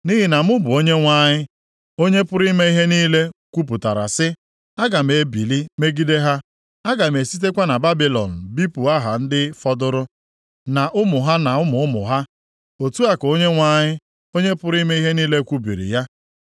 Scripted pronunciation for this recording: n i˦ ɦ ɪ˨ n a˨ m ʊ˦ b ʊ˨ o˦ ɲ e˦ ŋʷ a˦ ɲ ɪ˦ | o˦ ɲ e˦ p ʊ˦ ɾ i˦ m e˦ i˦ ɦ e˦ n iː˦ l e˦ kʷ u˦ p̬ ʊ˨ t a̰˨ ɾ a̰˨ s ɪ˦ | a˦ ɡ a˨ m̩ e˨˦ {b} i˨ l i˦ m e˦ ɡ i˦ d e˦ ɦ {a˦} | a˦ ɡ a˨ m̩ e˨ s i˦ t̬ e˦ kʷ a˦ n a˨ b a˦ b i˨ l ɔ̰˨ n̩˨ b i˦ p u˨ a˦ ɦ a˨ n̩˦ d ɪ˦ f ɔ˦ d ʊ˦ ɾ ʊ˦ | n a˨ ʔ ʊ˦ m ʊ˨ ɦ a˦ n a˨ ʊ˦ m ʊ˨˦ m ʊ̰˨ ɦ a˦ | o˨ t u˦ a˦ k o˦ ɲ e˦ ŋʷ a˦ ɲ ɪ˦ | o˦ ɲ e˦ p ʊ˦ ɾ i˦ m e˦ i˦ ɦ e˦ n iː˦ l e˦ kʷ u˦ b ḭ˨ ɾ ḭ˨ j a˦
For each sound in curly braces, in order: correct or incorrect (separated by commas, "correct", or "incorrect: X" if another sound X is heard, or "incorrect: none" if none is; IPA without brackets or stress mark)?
correct, correct